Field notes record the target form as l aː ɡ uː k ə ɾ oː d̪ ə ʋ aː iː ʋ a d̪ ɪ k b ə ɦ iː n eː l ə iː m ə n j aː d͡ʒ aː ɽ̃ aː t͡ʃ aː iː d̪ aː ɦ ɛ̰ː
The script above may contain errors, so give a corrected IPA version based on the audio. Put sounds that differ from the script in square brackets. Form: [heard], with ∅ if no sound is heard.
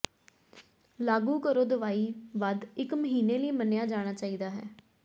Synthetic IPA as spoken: l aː ɡ uː k ə ɾ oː d̪ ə ʋ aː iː ʋ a d̪ ɪ k [m] ə ɦ iː n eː l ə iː m ə n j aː d͡ʒ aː ɽ̃ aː t͡ʃ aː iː d̪ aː ɦ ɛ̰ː

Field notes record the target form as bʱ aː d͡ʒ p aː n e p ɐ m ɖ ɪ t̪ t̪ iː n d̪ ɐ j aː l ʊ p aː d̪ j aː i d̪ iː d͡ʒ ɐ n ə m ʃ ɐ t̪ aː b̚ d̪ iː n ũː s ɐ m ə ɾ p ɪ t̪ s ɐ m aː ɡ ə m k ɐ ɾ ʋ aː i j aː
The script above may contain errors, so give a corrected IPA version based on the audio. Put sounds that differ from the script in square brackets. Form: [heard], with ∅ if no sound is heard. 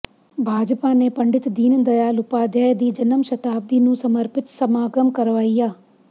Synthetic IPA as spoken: bʱ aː d͡ʒ p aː n e p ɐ [ɳ] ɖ ɪ t̪ [d̪] iː n d̪ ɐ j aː l ʊ p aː d̪ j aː [j] d̪ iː d͡ʒ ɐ n ə m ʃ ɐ t̪ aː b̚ d̪ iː n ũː s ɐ m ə ɾ p ɪ t̪ s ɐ m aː ɡ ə m k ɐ ɾ ʋ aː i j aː

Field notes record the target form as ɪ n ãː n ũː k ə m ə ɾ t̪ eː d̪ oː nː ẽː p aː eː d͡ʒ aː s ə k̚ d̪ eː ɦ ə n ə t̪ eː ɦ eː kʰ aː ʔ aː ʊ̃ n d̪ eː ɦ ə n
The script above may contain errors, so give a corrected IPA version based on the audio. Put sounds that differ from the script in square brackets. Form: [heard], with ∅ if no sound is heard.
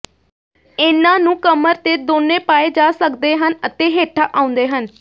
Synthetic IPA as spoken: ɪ n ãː n ũː k ə m ə ɾ t̪ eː d̪ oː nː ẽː p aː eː d͡ʒ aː s ə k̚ d̪ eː ɦ ə n ə t̪ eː ɦ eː [ʈʰ] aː ʔ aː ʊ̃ n d̪ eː ɦ ə n

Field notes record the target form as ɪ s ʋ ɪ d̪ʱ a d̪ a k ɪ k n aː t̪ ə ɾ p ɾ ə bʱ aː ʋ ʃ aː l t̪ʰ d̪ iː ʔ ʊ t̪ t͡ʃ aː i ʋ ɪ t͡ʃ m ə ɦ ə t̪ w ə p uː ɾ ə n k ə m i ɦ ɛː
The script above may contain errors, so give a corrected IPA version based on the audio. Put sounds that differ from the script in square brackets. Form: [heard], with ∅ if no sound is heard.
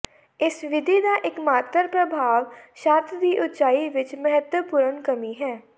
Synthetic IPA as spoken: ɪ s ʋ ɪ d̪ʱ [i] d̪ a [ʔ] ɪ k [m] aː t̪ ə ɾ p ɾ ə bʱ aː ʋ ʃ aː [ɾ] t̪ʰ d̪ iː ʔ ʊ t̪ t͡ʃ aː i ʋ ɪ t͡ʃ m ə ɦ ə t̪ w ə p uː ɾ ə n k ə m i ɦ ɛː

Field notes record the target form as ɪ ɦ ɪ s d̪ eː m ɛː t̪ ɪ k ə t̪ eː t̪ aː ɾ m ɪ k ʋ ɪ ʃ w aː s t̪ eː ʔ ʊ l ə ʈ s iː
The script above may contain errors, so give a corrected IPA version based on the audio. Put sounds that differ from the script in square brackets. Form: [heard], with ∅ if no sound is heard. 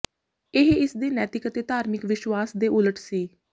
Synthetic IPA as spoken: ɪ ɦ ɪ s d̪ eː [n] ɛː t̪ ɪ k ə t̪ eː t̪ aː ɾ m ɪ k ʋ ɪ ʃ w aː s [d̪] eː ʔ ʊ l ə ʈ s iː

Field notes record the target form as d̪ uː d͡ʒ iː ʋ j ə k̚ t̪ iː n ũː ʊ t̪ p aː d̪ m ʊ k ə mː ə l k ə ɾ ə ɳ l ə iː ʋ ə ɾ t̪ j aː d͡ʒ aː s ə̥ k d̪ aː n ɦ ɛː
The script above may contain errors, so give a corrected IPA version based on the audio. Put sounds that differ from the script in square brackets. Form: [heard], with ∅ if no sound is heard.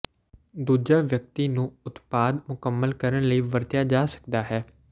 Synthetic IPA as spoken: d̪ uː d͡ʒ [aː] ʋ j ə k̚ t̪ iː n ũː ʊ t̪ p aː d̪ m ʊ k ə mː ə l k ə ɾ ə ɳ l ə iː ʋ ə ɾ t̪ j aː d͡ʒ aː s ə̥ k d̪ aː [∅] ɦ ɛː

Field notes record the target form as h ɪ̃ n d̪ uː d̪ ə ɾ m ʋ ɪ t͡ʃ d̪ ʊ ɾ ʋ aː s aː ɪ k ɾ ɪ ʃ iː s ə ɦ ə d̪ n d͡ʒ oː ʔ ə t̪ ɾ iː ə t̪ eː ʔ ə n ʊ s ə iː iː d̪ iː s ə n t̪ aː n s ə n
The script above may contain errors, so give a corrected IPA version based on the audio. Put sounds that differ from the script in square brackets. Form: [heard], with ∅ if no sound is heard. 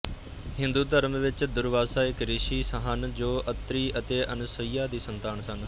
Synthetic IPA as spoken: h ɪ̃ n d̪ uː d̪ ə ɾ m ʋ ɪ t͡ʃ d̪ ʊ ɾ ʋ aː s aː ɪ k ɾ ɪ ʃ iː s ə ɦ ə [∅] n d͡ʒ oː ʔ ə t̪ ɾ iː ə t̪ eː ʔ ə n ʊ s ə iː [aː] d̪ iː s ə n t̪ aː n s ə n

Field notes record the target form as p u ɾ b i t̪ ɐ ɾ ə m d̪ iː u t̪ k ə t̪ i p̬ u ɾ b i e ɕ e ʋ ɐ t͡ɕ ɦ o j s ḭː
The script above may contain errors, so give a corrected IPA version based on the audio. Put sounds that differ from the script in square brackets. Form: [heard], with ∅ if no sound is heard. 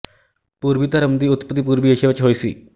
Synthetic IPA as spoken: p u ɾ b i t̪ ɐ ɾ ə m d̪ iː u t̪ [p] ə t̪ i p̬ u ɾ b i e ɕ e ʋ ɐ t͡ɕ ɦ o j s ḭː

